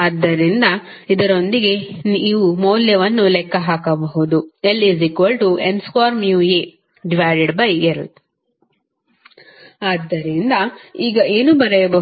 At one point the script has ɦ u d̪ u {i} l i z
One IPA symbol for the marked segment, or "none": e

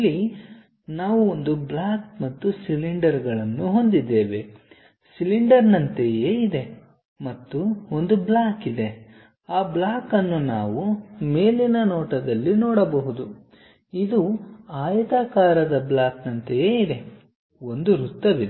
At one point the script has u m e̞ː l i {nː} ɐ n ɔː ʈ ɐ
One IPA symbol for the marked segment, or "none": n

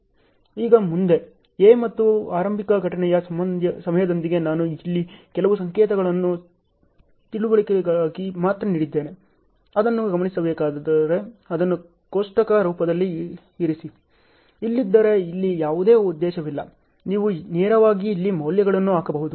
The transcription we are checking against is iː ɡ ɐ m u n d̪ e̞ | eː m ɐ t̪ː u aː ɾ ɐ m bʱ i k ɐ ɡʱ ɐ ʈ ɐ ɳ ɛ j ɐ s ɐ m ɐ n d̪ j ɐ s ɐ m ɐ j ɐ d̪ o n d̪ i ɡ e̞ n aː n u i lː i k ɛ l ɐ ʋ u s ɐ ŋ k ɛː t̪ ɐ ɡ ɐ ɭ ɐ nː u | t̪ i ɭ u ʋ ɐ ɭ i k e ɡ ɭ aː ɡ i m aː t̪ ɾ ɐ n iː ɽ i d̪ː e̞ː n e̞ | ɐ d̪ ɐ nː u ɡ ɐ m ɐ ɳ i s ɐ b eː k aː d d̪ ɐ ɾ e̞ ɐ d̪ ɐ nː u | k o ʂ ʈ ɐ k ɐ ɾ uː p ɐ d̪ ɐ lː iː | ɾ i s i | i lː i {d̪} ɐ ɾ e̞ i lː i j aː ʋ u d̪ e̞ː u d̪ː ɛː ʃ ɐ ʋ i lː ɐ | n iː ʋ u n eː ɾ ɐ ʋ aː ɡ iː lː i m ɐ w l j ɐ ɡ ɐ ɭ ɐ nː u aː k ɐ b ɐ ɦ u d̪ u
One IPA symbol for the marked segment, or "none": d̪ː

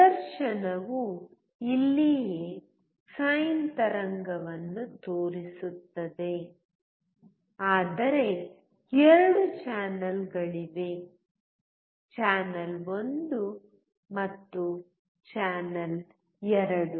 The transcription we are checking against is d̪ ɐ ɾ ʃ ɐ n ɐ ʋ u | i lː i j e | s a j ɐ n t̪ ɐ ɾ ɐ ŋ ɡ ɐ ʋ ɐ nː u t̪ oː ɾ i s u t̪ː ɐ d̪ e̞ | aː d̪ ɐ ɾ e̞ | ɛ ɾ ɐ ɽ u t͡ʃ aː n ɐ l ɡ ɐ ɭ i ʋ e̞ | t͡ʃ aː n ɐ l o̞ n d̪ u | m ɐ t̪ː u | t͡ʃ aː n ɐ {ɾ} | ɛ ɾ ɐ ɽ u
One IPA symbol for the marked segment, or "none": l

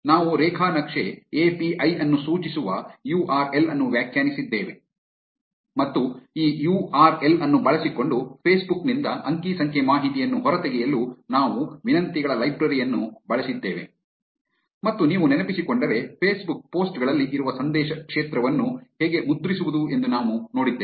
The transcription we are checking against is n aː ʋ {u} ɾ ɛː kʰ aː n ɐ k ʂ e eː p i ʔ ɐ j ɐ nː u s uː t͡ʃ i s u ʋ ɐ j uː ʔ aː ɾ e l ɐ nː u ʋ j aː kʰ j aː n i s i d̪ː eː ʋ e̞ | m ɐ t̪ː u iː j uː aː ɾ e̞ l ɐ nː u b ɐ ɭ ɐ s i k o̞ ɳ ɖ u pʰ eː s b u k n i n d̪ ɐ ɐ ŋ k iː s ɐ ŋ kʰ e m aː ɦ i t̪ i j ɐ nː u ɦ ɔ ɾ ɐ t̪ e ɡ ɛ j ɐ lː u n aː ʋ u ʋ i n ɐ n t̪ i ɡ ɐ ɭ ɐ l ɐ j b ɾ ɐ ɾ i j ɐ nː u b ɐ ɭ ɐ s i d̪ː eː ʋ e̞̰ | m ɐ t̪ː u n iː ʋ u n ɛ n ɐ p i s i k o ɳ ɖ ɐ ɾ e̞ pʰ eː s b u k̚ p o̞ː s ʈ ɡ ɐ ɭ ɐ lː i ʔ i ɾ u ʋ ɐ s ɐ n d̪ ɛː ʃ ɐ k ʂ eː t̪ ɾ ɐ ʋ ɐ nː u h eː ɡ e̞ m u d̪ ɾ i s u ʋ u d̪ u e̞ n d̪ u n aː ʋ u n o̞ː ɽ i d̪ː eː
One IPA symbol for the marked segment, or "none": u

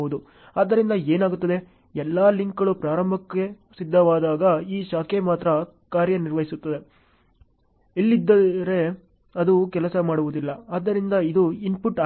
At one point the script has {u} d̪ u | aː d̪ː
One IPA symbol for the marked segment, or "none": u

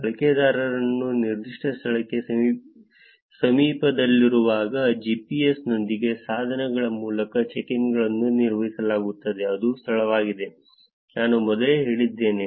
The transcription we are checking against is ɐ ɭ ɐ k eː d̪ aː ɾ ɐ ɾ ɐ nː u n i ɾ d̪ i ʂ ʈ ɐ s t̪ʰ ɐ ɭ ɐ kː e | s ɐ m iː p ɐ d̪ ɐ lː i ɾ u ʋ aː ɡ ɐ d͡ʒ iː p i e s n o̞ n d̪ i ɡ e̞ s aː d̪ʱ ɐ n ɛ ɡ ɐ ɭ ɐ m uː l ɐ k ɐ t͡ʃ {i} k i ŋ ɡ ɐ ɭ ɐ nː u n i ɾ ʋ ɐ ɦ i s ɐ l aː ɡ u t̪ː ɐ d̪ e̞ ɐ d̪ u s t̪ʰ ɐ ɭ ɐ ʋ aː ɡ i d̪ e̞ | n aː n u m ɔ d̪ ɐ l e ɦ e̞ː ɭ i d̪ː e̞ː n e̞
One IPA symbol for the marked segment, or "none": e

